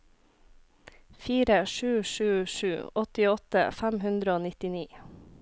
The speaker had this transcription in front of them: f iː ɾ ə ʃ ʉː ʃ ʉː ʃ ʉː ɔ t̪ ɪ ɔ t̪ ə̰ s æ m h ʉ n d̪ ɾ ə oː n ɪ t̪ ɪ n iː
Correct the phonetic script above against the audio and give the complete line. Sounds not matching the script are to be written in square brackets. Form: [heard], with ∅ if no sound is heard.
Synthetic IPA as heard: f iː ɾ ə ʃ ʉː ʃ ʉː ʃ ʉː ɔ t̪ ɪ ɔ t̪ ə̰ [f] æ m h ʉ n d̪ ɾ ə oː n ɪ t̪ ɪ n iː